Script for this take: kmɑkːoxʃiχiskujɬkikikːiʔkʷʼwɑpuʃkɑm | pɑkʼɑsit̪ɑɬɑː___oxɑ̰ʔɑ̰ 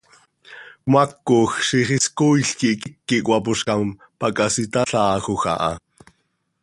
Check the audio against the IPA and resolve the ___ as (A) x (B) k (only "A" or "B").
A